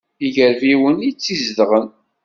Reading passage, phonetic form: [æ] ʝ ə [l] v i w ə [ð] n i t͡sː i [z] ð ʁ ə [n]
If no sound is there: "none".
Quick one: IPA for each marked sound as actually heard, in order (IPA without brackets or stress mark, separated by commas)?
i, ɾ, none, z, n